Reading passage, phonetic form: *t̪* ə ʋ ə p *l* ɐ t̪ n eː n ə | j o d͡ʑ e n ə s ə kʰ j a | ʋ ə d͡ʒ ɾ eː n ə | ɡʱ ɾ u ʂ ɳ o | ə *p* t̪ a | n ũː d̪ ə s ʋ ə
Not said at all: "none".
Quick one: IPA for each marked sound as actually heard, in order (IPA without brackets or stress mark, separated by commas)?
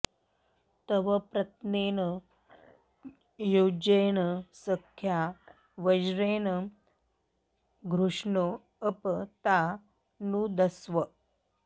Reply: t̪, ɾ, p